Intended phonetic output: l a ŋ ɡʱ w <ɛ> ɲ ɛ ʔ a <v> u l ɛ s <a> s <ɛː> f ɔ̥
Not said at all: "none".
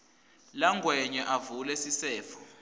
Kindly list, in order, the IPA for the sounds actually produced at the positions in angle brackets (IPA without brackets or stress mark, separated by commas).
ɛ, v, i, ɛː